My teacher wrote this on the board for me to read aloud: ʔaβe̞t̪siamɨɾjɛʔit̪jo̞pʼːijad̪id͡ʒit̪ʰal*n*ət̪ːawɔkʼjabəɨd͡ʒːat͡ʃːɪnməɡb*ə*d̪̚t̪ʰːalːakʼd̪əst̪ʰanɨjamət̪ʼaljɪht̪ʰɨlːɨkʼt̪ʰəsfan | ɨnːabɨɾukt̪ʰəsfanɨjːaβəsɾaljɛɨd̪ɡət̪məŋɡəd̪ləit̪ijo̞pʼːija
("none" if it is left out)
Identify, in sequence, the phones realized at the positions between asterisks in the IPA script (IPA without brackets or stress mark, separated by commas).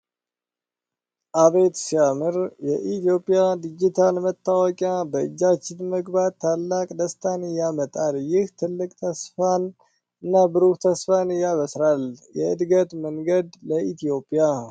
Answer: m, a